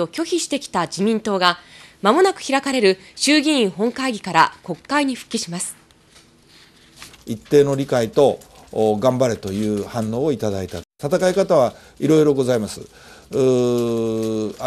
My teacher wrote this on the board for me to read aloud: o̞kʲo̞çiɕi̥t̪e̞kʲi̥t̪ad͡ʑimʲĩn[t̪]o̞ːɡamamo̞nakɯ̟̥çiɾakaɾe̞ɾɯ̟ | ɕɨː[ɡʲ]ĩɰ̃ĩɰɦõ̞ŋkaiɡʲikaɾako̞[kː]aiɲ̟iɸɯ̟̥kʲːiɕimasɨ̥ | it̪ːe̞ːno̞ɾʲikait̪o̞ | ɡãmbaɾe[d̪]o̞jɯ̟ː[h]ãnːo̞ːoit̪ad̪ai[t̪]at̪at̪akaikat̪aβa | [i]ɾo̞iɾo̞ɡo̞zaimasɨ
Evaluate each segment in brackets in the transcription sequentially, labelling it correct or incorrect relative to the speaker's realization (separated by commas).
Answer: correct, correct, correct, incorrect, correct, correct, correct